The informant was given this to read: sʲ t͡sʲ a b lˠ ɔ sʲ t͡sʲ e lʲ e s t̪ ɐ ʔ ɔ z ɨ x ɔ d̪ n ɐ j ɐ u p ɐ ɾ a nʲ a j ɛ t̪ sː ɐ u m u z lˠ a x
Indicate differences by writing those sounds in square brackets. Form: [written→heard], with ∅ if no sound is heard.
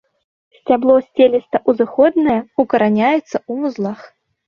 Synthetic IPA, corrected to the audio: sʲ t͡sʲ a b lˠ ɔ sʲ t͡sʲ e lʲ [e→i] s t̪ ɐ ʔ [ɔ→u] z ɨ x ɔ d̪ n ɐ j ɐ u [p→k] ɐ ɾ a nʲ a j ɛ t̪ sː ɐ u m u z lˠ a x